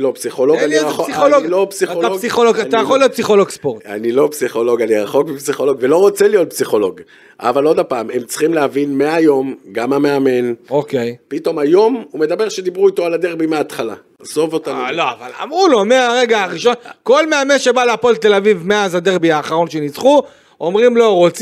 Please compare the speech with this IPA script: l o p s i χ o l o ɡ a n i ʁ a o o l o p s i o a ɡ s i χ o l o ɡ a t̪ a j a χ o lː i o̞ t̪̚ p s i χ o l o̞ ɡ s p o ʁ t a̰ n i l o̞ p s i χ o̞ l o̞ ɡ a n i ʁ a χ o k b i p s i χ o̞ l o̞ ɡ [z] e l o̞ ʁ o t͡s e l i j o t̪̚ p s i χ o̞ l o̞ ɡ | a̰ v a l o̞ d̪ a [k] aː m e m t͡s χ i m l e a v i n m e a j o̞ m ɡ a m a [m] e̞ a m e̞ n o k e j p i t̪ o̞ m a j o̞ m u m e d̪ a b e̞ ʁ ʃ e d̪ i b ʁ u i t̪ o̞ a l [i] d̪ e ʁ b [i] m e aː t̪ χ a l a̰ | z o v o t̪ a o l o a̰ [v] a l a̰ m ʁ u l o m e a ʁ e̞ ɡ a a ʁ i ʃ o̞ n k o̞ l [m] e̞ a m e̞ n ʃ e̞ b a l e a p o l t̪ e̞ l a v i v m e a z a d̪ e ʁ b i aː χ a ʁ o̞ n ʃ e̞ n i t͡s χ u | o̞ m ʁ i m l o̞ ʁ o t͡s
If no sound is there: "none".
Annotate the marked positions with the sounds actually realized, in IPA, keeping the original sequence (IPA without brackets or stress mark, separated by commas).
v, p, m, a, i, v, m